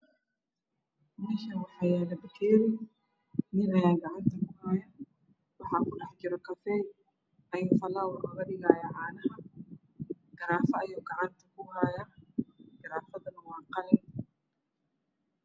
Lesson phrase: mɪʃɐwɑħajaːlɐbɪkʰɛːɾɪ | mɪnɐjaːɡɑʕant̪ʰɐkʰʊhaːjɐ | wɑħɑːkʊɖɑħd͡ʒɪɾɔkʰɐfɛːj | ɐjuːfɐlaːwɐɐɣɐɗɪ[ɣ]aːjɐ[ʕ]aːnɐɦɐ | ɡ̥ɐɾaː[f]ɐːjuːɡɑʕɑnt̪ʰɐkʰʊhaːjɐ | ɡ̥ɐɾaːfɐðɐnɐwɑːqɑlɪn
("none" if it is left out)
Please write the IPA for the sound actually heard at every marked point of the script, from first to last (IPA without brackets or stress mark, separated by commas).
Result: ɣ, ʕ, f